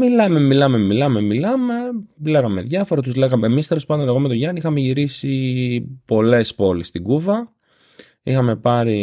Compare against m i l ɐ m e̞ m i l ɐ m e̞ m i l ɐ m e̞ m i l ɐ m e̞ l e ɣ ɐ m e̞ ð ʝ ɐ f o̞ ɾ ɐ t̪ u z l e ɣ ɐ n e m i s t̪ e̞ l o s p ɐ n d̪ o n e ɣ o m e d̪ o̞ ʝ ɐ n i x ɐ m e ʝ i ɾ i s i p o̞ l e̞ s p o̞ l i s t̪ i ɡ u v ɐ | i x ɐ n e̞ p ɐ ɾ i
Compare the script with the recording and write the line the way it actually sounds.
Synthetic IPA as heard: m i l ɐ m e̞ m i l ɐ m e̞ m i l ɐ m e̞ m i l ɐ m e̞ l e ɣ ɐ m e̞ ð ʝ ɐ f o̞ ɾ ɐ t̪ u z l e ɣ ɐ m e m i s t̪ e̞ l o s p ɐ n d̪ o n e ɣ o m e t̪ o̞ ʝ ɐ n i x ɐ m e ʝ i ɾ i s i p o̞ l e̞ s p o̞ l i s t̪ i ɡ u v ɐ | i x ɐ m e̞ p ɐ ɾ i